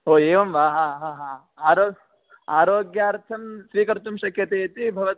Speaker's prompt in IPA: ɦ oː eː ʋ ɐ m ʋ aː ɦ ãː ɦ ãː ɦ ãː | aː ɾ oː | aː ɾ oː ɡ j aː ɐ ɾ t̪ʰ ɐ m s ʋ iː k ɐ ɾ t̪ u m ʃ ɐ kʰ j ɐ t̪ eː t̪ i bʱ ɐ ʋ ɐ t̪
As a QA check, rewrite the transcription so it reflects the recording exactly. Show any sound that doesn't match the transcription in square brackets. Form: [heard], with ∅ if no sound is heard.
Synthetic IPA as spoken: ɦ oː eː ʋ ɐ m ʋ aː ɦ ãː ɦ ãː ɦ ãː | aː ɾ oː | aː ɾ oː ɡ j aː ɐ ɾ t̪ʰ ɐ m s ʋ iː k ɐ ɾ t̪ u m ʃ ɐ kʰ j ɐ t̪ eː t̪ i bʱ ɐ ʋ ɐ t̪